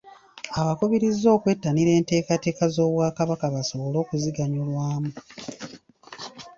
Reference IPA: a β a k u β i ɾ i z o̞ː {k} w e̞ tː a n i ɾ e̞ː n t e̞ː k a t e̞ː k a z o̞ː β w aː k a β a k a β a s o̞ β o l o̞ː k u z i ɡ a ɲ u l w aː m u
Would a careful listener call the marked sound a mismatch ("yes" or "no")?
no